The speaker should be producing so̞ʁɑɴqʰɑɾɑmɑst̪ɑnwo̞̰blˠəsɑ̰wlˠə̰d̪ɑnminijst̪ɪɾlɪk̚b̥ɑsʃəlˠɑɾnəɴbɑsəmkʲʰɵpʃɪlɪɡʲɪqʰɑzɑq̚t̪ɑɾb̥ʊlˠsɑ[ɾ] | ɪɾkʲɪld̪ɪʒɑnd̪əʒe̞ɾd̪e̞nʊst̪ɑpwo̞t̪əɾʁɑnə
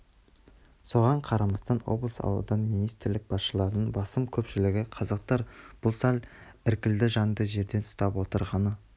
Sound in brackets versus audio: incorrect: l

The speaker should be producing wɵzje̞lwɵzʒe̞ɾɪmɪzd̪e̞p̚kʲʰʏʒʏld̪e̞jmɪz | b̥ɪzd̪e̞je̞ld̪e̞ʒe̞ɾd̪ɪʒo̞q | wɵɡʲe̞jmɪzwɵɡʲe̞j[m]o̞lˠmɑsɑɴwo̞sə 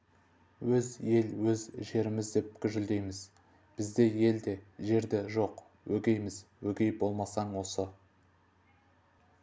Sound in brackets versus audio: incorrect: b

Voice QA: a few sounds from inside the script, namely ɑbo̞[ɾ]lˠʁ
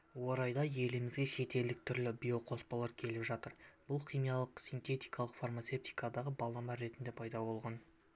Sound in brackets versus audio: incorrect: none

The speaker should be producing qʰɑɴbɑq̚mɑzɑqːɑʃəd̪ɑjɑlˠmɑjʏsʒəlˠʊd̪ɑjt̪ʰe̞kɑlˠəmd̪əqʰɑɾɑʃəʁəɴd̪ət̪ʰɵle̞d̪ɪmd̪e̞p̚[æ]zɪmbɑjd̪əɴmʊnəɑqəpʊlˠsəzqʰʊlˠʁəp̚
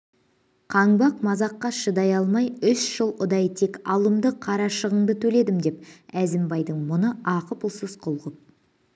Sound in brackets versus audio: correct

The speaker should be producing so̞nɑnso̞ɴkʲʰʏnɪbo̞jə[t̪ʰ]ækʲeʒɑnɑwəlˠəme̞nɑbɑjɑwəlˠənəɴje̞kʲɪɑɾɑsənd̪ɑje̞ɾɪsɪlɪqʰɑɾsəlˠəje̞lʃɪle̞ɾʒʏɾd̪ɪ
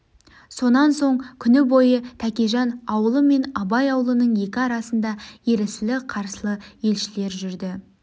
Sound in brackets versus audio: correct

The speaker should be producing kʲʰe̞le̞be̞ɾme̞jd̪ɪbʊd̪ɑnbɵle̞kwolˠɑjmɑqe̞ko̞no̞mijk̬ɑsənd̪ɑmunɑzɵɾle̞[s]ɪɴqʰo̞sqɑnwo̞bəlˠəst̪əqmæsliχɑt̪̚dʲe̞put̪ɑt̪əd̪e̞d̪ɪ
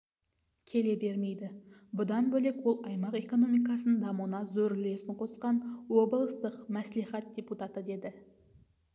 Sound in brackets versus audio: correct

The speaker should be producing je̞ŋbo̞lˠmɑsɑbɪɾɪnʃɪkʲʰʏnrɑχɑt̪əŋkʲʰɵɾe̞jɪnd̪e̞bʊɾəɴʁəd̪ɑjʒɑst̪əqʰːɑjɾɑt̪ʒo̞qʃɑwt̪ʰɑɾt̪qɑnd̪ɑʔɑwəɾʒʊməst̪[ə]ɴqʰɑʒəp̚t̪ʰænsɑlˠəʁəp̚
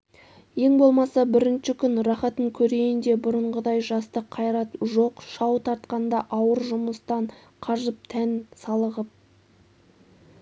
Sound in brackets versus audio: incorrect: ɑ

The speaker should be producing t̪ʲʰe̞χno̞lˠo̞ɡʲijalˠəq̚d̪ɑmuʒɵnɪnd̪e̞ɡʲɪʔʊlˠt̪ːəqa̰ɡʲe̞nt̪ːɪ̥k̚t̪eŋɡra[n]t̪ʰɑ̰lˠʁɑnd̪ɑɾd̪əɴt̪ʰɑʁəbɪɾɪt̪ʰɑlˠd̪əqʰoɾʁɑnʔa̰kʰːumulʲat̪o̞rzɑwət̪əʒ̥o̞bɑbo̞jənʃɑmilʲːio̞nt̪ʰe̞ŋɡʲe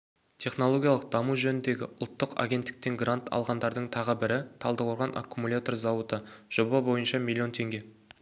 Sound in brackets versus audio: correct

